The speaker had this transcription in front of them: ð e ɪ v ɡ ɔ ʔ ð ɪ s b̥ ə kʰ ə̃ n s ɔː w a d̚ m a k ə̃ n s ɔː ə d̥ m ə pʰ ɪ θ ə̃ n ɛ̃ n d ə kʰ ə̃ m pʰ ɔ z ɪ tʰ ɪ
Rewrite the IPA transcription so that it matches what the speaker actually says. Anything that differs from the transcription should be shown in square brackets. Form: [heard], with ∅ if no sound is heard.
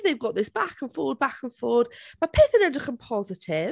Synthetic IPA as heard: ð e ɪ v ɡ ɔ ʔ ð ɪ s b̥ [a] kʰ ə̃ n [f] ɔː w [ə] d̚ [b] a k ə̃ n [f] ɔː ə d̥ m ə pʰ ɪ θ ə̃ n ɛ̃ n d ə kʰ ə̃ m pʰ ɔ z ɪ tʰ ɪ